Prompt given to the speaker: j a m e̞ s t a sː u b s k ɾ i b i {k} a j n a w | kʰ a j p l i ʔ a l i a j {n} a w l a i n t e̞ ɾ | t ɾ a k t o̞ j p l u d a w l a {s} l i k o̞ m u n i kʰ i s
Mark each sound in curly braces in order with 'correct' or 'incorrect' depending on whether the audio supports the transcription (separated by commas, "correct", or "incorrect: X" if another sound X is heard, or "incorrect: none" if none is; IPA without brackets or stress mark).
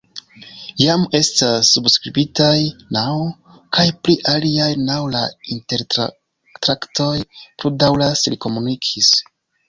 incorrect: t, correct, correct